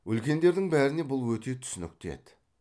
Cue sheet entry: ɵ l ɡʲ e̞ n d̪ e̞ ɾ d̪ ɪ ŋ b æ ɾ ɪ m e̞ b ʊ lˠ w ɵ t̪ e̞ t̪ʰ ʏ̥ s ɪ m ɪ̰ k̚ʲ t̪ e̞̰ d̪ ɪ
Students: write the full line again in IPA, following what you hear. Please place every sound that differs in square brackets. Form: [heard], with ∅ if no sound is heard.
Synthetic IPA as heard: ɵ l [kʲ] e̞ n d̪ e̞ ɾ d̪ ɪ ŋ b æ ɾ ɪ [n] e̞ b ʊ lˠ w ɵ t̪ e̞ t̪ʰ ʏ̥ s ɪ [n] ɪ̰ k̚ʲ t̪ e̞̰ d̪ ɪ